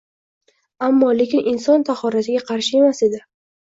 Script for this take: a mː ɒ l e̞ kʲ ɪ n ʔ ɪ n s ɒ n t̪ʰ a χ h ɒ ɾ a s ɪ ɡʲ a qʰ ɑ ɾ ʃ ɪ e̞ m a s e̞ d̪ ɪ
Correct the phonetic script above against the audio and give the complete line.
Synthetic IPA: a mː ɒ l e̞ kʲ ɪ n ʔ ɪ n s ɒ n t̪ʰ a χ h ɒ ɾ a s ɪ ɡʲ a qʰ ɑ ɾ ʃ ɪ e̞ m a s e̞ d̪ ɪ